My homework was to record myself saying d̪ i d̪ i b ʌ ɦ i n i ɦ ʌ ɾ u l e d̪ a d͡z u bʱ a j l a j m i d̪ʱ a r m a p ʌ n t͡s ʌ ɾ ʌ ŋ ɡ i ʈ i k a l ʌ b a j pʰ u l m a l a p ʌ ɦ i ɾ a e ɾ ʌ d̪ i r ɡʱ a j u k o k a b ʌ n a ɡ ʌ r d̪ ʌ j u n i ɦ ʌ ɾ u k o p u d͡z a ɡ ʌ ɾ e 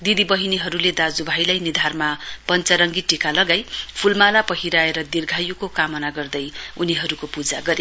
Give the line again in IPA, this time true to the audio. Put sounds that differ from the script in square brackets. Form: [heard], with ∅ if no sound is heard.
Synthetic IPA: d̪ i d̪ i b ʌ ɦ i n i ɦ ʌ ɾ u l e d̪ a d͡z u bʱ a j l a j [n] i d̪ʱ a r m a p ʌ n t͡s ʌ ɾ ʌ ŋ ɡ i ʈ i k a l ʌ [ɡ] a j pʰ u l m a l a p ʌ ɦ i ɾ a e ɾ ʌ d̪ i r ɡʱ a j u k o k a [m] ʌ n a ɡ ʌ r d̪ ʌ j u n i ɦ ʌ ɾ u k o p u d͡z a ɡ ʌ ɾ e